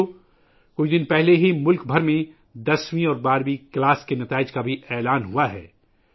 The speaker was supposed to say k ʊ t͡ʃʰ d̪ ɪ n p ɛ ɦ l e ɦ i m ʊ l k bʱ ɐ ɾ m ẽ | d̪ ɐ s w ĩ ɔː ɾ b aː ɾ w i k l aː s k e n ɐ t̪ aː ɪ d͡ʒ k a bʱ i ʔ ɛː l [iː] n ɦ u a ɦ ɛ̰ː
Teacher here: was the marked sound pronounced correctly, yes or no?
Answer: no